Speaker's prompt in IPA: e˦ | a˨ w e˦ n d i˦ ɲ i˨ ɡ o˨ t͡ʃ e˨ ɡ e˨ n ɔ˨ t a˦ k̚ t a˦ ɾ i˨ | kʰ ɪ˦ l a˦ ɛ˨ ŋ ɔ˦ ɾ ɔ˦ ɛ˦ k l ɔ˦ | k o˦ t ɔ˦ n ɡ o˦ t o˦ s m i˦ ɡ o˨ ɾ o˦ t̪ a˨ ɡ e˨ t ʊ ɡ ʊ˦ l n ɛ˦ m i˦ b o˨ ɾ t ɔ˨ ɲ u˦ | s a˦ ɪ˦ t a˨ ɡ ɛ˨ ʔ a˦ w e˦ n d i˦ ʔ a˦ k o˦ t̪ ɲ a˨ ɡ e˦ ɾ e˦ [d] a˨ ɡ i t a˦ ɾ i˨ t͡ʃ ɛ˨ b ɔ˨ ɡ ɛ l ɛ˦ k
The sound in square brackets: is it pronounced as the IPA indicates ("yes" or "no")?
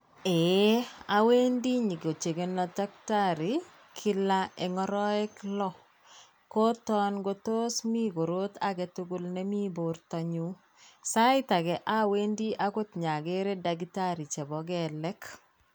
yes